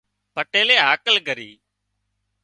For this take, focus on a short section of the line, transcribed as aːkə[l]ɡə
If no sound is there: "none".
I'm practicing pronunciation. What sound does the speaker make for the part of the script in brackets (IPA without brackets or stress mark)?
l